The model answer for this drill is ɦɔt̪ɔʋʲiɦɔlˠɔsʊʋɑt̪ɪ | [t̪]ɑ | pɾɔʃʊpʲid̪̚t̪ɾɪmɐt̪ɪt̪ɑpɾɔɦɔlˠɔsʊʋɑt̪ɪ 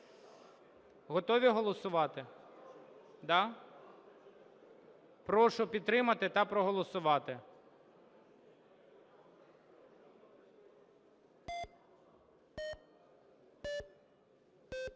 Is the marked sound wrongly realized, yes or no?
yes